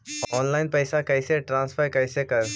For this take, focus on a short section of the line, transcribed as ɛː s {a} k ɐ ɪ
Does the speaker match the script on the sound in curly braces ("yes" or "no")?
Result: yes